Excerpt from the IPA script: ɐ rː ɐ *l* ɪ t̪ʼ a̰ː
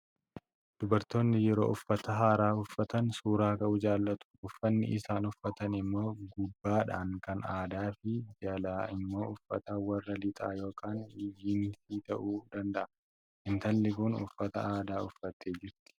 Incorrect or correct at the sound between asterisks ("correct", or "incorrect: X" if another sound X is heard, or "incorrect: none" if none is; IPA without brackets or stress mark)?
correct